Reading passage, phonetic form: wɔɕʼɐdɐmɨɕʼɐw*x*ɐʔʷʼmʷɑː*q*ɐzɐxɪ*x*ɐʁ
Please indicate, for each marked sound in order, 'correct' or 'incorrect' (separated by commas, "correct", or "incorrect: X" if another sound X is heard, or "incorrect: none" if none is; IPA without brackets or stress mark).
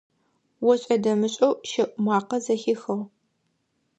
incorrect: ʃ, correct, correct